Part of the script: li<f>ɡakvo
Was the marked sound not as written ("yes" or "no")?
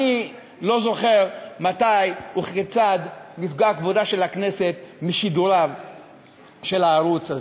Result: no